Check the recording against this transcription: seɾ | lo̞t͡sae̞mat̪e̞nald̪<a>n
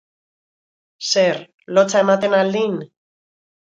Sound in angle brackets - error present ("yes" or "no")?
yes